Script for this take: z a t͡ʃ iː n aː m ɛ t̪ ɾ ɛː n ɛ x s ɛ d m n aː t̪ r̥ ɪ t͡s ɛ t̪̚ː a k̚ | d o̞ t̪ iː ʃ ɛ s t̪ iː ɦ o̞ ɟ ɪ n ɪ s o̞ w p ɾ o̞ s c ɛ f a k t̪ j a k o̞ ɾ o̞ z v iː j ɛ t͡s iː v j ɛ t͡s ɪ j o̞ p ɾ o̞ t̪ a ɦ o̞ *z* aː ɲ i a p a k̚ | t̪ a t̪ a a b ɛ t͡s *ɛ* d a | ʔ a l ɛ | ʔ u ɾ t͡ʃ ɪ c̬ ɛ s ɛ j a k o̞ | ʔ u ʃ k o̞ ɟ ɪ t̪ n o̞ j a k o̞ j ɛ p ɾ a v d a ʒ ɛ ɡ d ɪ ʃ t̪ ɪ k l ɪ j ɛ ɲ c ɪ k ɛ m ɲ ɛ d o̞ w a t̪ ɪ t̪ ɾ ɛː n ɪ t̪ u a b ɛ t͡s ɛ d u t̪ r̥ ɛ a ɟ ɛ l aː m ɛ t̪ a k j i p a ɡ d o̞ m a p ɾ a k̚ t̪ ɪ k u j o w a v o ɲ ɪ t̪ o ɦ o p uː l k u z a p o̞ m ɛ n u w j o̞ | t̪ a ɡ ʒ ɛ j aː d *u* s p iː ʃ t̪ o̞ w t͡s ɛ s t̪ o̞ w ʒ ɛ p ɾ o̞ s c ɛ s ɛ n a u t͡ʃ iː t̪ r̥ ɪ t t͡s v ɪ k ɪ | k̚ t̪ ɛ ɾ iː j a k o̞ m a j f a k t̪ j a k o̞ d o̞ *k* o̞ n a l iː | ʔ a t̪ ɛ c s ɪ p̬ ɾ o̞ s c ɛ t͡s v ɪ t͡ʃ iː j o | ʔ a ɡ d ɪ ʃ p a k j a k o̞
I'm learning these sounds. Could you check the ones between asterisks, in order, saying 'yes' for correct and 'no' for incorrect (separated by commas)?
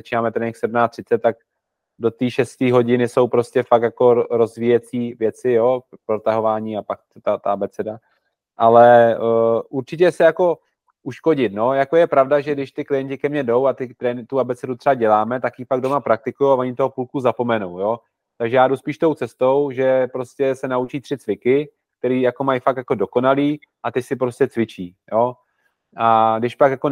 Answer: no, yes, yes, yes